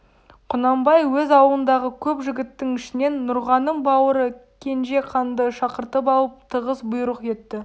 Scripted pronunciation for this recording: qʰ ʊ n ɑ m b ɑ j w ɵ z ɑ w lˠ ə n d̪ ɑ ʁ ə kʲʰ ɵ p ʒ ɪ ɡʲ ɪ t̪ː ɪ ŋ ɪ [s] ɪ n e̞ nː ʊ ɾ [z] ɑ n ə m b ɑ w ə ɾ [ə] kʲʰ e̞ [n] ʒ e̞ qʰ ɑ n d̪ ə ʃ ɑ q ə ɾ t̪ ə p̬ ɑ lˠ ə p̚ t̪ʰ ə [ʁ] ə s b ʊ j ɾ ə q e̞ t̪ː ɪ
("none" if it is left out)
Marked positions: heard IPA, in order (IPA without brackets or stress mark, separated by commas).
ʃ, ʁ, ə, n, ʁ